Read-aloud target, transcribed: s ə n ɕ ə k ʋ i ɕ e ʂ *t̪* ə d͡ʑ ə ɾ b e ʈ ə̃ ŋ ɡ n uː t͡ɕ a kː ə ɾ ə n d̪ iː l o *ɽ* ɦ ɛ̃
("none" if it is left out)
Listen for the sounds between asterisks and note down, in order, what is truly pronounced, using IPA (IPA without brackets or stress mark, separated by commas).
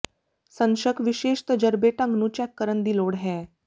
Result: t̪, ɽ